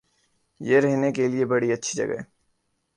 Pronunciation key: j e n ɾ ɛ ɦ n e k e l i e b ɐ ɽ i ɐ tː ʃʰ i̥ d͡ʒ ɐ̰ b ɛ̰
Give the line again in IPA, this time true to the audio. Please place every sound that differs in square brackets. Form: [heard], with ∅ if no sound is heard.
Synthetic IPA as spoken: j e [∅] ɾ ɛ ɦ n e k e l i e b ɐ ɽ i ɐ tː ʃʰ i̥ d͡ʒ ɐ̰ [ɡ] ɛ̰